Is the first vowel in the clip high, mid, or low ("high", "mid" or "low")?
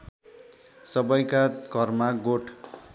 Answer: mid